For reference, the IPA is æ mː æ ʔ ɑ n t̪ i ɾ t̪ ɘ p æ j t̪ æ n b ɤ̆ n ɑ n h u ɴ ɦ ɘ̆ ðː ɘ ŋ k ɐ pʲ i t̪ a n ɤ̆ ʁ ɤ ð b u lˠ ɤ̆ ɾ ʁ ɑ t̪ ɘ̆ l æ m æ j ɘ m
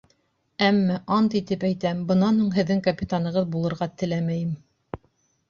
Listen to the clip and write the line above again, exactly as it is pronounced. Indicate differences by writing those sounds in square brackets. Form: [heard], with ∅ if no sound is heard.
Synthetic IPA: æ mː æ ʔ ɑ n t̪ i [∅] t̪ ɘ p æ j t̪ æ [m] b ɤ̆ n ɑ n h u ɴ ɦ ɘ̆ ðː ɘ ŋ k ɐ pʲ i t̪ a n ɤ̆ ʁ ɤ ð b u lˠ ɤ̆ ɾ ʁ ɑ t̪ ɘ̆ l æ m æ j ɘ m